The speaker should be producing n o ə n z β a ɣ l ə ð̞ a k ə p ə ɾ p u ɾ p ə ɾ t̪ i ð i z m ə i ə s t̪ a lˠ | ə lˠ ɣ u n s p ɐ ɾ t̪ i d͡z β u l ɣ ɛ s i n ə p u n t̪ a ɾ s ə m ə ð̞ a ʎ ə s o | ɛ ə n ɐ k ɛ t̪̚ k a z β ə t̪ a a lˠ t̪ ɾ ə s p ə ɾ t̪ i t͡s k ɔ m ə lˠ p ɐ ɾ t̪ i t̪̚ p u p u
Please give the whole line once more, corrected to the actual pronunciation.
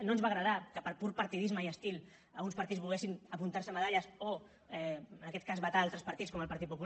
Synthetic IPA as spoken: n o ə n z β a ɣ ɾ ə ð̞ a k ə p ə ɾ p u ɾ p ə ɾ t̪ i ð i z m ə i ə s t̪ i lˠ | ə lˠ ɣ u n s p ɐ ɾ t̪ i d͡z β u l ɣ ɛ s i n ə p u n t̪ a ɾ s ə m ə ð̞ a ʎ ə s o | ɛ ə n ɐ k ɛ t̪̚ k a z β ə t̪ a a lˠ t̪ ɾ ə s p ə ɾ t̪ i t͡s k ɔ m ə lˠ p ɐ ɾ t̪ i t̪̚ p u p u

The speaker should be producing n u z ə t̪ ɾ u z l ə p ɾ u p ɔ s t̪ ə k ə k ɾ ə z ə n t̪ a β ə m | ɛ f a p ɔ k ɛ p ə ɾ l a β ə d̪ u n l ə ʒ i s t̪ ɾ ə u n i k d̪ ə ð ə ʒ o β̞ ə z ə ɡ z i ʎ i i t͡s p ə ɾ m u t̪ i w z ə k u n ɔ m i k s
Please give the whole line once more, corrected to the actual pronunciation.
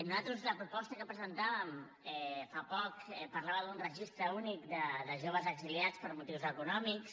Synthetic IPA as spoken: n u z a t̪ ɾ u z l ə p ɾ u p ɔ s t̪ ə k ə p ɾ ə z ə n t̪ a β ə m | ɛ f a p ɔ k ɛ p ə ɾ l a β ə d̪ u n r ə ʒ i s t̪ ɾ ə u n i k d̪ ə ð ə ʒ o β̞ ə z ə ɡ z i l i a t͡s p ə ɾ m u t̪ i w z ə k u n ɔ m i k s

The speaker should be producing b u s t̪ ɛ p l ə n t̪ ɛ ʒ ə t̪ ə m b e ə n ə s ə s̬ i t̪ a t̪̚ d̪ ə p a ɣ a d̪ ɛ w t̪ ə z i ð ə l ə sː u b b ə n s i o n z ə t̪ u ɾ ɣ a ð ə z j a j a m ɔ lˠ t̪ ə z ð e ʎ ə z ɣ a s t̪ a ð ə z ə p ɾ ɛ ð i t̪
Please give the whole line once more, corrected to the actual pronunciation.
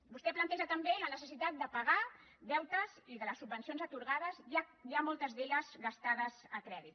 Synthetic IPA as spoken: b u s t̪ ɛ p l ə n t̪ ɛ ʒ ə t̪ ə m b e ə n ə s ə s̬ i t̪ a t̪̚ d̪ ə p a ɣ a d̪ ɛ w t̪ ə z i ð ə l ə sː u b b ə n s i o n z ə t̪ u ɾ ɣ a ð ə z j a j a m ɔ lˠ t̪ ə z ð e ʎ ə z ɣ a s t̪ a ð ə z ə k ɾ ɛ ð i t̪

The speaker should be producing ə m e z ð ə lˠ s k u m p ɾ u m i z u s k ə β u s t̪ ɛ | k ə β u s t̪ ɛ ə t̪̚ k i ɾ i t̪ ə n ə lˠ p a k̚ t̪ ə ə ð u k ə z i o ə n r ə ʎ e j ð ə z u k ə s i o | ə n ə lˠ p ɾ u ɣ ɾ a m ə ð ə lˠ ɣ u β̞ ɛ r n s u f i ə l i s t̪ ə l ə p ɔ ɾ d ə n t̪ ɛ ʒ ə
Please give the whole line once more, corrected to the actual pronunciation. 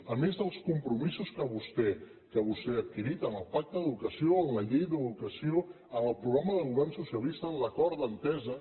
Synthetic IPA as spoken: ə m e z ð ə lˠ s k u m p ɾ u m i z u s k ə β u s t̪ ɛ | k ə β u s t̪ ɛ ə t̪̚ k i ɾ i t̪ ə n ə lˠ p a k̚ t̪ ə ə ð u k ə s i o ə n l ə ʎ e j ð ə ð u k ə s i o | ə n ə lˠ p ɾ u ɣ ɾ a m ə ð ə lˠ ɣ u β̞ ɛ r n s u s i ə l i s t̪ ə l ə k ɔ ɾ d ə n t̪ ɛ z ə

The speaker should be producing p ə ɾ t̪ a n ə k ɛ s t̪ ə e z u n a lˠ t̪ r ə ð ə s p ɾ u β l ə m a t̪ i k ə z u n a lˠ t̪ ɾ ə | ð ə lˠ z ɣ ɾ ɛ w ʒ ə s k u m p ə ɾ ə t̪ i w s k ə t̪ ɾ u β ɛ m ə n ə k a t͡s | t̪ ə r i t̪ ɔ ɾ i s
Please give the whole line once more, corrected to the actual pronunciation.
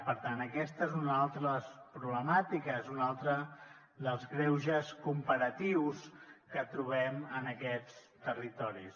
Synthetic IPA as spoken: p ə ɾ t̪ a n ə k ɛ s t̪ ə e z u n a lˠ t̪ ɾ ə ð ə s p ɾ u β l ə m a t̪ i k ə z u n a lˠ t̪ ɾ ə | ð ə lˠ z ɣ ɾ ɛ w ʒ ə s k u m p ə ɾ ə t̪ i w s k ə t̪ ɾ u β ɛ m ə n ə k ɛ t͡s | t̪ ə r i t̪ ɔ ɾ i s

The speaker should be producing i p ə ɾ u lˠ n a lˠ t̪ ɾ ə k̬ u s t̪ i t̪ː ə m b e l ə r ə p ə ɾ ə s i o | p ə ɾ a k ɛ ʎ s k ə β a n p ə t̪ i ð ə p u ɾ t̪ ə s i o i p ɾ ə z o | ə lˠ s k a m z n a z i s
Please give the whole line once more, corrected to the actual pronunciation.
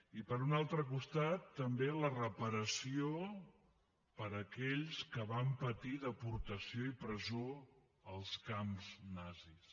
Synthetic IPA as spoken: i p ə ɾ u n a lˠ t̪ ɾ ə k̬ u s t̪ a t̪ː ə m b e l ə r ə p ə ɾ ə s i o | p ə ɾ ə k ɛ ʎ s k ə β a m p ə t̪ i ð ə p u ɾ t̪ ə s i o i p ɾ ə z o | ə lˠ s k a m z n a z i s

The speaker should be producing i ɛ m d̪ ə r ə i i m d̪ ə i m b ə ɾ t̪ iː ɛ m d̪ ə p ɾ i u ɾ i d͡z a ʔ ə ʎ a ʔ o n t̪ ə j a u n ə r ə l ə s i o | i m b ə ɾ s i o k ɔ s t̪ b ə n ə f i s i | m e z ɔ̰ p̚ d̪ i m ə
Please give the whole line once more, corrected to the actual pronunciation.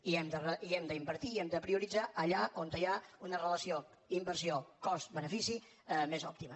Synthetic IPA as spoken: i ɛ m d̪ ə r ə i ɛ m d̪ ə i m b ə ɾ t̪ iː ɛ m d̪ ə p ɾ i u ɾ i d͡z a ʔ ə ʎ a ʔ o n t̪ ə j a u n ə r ə l ə s i o | i m b ə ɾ s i o k ɔ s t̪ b ə n ə f i s i | m e z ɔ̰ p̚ t̪ i m ə

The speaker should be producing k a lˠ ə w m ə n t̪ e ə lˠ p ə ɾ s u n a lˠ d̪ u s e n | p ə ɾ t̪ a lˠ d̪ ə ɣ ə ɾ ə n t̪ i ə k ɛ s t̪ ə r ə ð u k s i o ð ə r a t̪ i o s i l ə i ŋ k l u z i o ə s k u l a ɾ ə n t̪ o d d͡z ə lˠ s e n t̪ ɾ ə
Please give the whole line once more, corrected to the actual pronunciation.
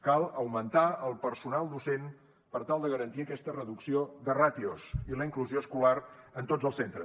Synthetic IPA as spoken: k a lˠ ə w m ə n t̪ a ə lˠ p ə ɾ s u n a lˠ d̪ u s e n | p ə ɾ t̪ a lˠ d̪ ə ɣ ə ɾ ə n t̪ i ə k ɛ s t̪ ə r ə ð u k s i o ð ə r a t̪ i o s i l ə i ŋ k l u z i o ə s k u l a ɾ ə n t̪ o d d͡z ə lˠ s e n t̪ ɾ ə

